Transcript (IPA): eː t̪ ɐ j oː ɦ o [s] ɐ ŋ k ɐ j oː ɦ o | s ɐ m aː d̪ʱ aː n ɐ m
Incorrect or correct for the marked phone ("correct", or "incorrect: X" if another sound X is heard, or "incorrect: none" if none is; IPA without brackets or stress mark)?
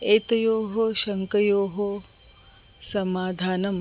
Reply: incorrect: ʃ